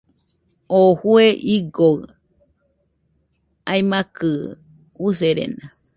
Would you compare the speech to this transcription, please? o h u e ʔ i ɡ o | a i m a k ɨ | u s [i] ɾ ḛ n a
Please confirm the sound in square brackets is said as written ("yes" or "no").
no